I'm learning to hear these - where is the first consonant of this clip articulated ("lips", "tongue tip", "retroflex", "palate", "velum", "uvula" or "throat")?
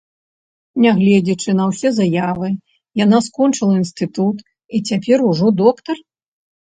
tongue tip